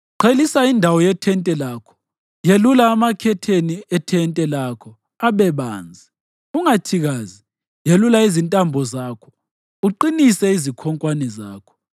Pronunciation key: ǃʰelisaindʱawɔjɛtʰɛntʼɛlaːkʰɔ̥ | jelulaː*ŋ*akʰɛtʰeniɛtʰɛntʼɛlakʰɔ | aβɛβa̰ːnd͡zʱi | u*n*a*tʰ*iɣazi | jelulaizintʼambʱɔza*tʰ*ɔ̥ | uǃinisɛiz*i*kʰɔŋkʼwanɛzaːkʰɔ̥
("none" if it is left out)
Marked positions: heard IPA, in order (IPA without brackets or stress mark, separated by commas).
m, ŋ, tʰ, kʰ, i